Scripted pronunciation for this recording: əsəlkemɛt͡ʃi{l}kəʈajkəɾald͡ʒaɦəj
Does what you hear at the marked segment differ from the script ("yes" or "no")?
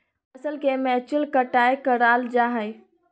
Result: no